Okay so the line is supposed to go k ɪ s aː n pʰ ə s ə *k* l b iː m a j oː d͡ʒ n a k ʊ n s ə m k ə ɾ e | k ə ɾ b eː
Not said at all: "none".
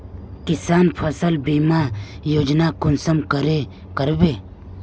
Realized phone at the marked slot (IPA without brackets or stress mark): none